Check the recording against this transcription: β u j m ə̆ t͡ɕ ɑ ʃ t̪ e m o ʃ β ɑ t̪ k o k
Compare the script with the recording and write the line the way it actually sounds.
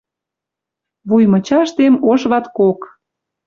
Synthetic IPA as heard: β u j m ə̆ t͡ɕ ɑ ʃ t̪ e m o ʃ β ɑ t̪ k o k